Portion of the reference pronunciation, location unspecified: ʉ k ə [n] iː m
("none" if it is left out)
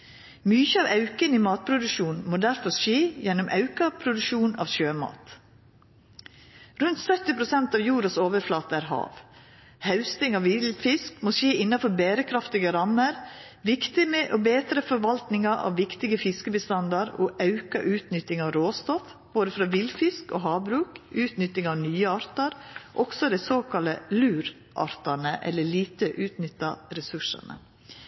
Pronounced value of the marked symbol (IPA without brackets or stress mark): n